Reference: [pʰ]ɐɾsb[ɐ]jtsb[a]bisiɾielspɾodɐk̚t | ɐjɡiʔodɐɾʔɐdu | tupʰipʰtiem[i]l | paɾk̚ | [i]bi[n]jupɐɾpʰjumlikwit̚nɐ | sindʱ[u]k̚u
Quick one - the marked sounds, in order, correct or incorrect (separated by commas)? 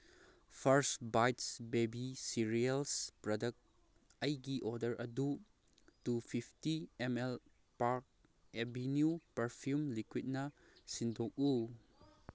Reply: correct, incorrect, incorrect, incorrect, incorrect, correct, incorrect